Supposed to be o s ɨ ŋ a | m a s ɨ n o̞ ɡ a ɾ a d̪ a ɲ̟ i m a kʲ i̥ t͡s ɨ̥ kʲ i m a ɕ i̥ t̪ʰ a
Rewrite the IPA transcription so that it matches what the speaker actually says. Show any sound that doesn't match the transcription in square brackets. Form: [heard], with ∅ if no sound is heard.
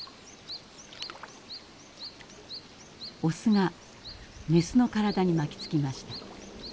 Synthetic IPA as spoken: o s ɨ ŋ a | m [e] s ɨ n o̞ [k] a ɾ a d̪ a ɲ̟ i m a kʲ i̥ t͡s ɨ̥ kʲ i m a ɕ i̥ [t̪] a